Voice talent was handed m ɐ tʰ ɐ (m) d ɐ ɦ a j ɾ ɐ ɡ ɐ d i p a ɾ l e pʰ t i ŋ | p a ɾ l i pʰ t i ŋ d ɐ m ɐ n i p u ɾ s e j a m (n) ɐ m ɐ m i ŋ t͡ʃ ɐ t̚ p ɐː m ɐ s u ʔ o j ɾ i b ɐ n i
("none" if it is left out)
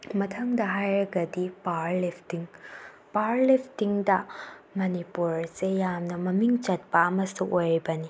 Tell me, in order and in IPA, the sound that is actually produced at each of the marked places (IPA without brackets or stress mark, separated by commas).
ŋ, n